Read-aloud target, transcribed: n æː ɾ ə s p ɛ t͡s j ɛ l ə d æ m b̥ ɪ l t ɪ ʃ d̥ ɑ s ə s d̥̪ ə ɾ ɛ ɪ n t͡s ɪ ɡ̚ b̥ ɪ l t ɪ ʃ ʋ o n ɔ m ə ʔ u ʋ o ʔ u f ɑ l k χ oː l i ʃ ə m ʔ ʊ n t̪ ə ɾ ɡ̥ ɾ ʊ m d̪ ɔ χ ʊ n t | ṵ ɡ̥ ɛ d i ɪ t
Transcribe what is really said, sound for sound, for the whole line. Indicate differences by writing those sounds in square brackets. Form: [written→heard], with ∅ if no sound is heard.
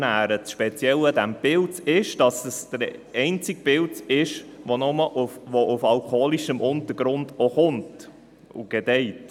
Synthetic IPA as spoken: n æː ɾ ə [s→ʃ] p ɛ t͡s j ɛ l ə d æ m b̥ ɪ l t ɪ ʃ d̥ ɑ s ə s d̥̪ ə ɾ ɛ ɪ n t͡s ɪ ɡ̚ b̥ ɪ l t ɪ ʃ ʋ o n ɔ m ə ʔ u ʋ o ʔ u f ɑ l k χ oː l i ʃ ə m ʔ ʊ n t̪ ə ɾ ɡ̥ ɾ ʊ [m→n] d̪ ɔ χ ʊ n t | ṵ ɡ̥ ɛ d [i→ɛ] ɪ t